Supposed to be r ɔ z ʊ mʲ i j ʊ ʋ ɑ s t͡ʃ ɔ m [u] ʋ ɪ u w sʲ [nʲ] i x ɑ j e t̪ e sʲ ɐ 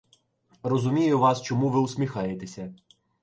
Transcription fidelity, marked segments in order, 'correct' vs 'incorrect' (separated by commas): correct, incorrect